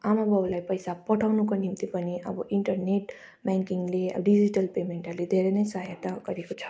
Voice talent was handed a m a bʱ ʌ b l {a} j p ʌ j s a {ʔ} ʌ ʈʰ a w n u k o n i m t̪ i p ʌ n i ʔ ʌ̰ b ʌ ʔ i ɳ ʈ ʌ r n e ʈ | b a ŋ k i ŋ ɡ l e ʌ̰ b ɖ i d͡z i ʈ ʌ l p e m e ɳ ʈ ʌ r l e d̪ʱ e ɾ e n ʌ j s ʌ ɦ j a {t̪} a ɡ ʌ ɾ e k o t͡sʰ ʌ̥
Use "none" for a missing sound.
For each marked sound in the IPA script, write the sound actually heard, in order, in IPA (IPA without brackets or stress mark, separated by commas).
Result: a, p, t̪